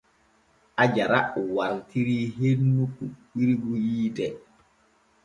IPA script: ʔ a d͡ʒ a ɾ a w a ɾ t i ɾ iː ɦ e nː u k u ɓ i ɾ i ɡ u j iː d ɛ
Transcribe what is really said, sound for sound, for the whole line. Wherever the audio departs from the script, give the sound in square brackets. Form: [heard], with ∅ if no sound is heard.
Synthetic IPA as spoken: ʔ a d͡ʒ a ɾ a w a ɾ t i ɾ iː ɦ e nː u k u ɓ i ɾ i ɡ u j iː d ɛ